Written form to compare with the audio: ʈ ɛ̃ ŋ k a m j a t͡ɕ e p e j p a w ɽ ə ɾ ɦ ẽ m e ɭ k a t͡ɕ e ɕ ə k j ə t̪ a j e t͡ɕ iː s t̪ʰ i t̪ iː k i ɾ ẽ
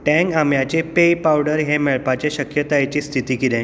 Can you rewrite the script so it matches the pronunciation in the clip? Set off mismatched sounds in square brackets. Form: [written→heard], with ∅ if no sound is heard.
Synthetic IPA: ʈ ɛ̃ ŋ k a m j a t͡ɕ e p e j p a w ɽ ə ɾ ɦ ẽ m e ɭ [k→p] a t͡ɕ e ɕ ə k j ə t̪ a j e t͡ɕ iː s t̪ʰ i t̪ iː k i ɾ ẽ